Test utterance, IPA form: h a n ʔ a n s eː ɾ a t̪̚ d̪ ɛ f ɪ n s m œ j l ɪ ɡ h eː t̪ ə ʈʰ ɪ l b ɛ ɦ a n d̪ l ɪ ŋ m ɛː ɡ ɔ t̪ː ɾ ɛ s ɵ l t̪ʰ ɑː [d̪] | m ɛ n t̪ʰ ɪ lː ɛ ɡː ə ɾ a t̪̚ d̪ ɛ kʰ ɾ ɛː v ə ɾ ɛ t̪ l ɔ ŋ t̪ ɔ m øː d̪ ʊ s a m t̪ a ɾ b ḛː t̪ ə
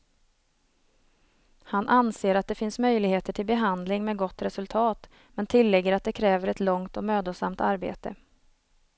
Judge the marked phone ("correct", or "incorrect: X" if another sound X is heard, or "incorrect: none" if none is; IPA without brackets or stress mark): incorrect: t̪